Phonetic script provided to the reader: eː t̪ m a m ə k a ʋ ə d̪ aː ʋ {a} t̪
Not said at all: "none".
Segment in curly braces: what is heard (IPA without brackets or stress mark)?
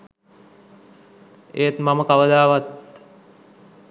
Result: a